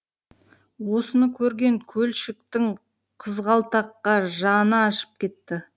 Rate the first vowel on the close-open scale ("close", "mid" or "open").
mid